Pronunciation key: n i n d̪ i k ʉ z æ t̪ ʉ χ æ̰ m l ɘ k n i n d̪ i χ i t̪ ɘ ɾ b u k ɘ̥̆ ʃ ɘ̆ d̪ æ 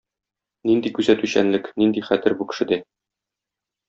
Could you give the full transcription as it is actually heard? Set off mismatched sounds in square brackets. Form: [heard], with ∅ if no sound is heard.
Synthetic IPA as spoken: n i n d̪ i k ʉ z æ t̪ ʉ [ɕ] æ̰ [n] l ɘ k n i n d̪ i χ [æ] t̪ ɘ ɾ b u k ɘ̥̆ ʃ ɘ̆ d̪ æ